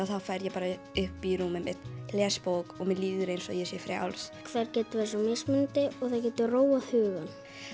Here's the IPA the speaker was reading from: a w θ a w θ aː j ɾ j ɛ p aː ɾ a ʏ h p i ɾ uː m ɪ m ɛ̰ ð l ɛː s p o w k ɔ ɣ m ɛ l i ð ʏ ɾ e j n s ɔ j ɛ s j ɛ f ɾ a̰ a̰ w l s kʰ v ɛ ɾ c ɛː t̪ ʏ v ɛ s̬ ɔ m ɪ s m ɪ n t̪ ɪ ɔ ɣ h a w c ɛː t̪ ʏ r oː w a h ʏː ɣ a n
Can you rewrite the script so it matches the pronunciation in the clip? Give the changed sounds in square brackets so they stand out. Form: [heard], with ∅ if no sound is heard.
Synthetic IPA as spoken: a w θ a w [f] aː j ɾ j ɛ p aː ɾ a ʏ h p i ɾ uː m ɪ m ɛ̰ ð l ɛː s p o w k ɔ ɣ m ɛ l [iː] ð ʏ ɾ e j n s ɔ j ɛ s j ɛ f ɾ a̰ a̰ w l s kʰ v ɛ ɾ c ɛː t̪ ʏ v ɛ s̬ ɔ m ɪ s m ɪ n t̪ ɪ ɔ ɣ [θ] a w c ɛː t̪ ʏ r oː w a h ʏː ɣ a n

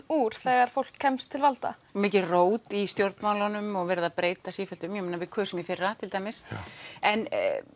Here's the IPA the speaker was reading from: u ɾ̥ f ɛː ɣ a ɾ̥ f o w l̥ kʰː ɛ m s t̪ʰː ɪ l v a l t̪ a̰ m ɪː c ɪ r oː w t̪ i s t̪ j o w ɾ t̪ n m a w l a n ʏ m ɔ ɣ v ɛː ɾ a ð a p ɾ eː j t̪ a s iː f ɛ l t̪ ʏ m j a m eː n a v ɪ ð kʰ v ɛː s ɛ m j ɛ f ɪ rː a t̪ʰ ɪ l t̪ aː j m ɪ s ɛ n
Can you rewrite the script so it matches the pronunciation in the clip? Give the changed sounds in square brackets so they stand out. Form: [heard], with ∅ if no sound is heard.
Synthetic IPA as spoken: u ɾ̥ [θ] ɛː ɣ a ɾ̥ f o w l̥ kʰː ɛ m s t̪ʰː ɪ l v a l t̪ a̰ m ɪː c ɪ r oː w t̪ i s t̪ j o w ɾ t̪ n m a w l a n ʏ m ɔ ɣ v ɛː ɾ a ð a p ɾ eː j t̪ a s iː f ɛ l t̪ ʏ m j [ɛ] m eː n a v ɪ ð kʰ v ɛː s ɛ m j ɛ f ɪ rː a t̪ʰ ɪ l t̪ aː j m ɪ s ɛ n

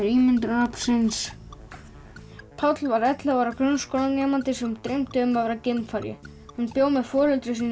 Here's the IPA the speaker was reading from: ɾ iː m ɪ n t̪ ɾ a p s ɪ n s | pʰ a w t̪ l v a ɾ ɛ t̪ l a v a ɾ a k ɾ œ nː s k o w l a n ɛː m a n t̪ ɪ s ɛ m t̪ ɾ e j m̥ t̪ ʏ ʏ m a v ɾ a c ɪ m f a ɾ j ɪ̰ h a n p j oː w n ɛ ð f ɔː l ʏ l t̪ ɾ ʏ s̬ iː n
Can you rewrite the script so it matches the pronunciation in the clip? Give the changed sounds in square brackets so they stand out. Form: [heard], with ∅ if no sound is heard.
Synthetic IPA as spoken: ɾ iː m ɪ n t̪ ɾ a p s ɪ n s | pʰ a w t̪ l v a ɾ ɛ t̪ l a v a ɾ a k ɾ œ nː s k o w l a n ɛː m a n t̪ ɪ s ɛ m t̪ ɾ e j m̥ t̪ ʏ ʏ m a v ɾ a c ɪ m f a ɾ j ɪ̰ h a n p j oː w [m] ɛ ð f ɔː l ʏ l t̪ ɾ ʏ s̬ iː n

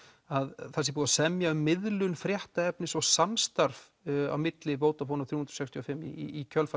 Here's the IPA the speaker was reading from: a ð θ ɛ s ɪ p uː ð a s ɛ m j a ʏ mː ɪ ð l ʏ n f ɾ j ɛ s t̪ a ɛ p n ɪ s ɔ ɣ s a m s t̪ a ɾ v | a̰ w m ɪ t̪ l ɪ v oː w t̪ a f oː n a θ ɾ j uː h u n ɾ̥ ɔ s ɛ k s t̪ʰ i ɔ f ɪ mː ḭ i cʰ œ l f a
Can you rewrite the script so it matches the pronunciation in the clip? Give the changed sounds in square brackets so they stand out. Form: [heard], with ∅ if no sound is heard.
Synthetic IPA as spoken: a ð θ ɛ s ɪ p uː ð a s ɛ m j a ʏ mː ɪ ð l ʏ n f ɾ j ɛ [h] t̪ a ɛ p n ɪ s ɔ ɣ s a m s t̪ a ɾ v | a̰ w m ɪ t̪ l ɪ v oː w t̪ a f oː n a θ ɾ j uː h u n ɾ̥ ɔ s ɛ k s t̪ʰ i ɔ f ɪ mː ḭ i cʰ œ l f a

